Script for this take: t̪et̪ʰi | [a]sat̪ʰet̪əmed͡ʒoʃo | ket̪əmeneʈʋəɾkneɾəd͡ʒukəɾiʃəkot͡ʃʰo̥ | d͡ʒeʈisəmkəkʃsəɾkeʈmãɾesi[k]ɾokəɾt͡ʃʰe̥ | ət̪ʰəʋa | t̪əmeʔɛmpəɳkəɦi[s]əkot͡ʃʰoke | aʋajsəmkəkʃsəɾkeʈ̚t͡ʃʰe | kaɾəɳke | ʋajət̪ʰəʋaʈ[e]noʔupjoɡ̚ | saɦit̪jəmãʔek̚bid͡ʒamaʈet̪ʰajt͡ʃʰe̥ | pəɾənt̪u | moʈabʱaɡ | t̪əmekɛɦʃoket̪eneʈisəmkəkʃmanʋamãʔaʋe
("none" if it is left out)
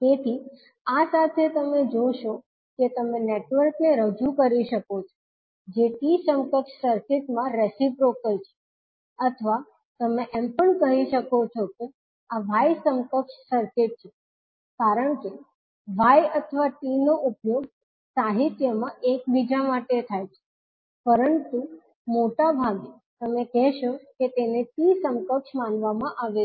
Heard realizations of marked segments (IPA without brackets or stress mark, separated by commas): a, p, ʃ, i